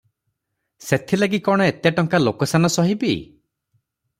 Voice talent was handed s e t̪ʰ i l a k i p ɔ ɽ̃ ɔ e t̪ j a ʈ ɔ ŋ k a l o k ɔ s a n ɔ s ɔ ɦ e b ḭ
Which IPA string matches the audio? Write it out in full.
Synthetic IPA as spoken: s e t̪ʰ i l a ɡ i k ɔ ɽ̃ ɔ e t̪ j a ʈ ɔ ŋ k a l o k ɔ s a n ɔ s ɔ ɦ i b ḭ